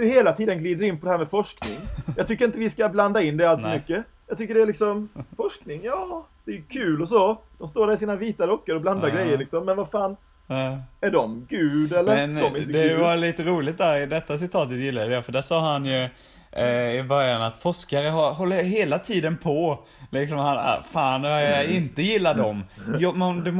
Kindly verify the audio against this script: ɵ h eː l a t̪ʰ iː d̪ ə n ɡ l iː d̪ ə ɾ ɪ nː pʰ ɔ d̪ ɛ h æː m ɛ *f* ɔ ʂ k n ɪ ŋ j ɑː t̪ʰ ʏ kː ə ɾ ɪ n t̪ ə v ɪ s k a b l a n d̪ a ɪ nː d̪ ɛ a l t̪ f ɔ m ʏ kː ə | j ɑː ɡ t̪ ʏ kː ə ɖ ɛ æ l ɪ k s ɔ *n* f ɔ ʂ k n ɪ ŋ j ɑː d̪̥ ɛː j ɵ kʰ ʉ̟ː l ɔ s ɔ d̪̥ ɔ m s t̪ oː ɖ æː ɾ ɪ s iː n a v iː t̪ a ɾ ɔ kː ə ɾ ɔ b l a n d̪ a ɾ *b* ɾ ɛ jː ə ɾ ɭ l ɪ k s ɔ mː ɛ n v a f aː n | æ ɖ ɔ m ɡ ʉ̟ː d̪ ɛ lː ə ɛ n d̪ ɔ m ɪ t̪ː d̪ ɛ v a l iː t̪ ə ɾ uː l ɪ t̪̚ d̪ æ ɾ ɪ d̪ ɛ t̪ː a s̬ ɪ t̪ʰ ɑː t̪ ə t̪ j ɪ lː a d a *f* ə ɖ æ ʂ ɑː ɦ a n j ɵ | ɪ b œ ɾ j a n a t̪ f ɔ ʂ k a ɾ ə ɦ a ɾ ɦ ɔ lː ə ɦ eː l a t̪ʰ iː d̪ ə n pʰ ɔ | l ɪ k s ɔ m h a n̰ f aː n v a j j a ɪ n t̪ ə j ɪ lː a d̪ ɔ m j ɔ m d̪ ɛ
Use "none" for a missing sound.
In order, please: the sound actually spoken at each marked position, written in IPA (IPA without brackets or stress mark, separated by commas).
f, m, ɡ, f